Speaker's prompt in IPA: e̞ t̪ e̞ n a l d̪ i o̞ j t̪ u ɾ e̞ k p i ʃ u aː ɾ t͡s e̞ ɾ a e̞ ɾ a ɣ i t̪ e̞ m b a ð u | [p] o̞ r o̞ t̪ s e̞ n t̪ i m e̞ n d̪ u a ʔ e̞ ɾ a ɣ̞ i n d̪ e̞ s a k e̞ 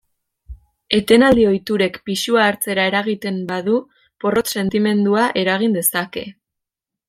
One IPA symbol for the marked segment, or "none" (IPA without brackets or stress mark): p